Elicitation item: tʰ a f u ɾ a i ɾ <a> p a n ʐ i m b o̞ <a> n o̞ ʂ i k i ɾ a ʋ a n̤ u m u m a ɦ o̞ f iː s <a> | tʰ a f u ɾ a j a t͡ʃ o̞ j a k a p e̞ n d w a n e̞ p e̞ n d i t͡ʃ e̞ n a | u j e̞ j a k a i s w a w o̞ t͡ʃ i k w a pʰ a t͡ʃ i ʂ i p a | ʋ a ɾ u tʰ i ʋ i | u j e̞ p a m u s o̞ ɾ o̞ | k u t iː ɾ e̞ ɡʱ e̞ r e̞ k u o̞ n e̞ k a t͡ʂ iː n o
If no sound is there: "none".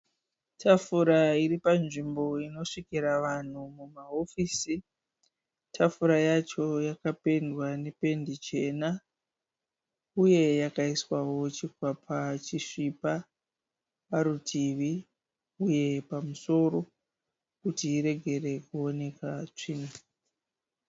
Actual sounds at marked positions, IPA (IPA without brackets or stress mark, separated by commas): i, i, i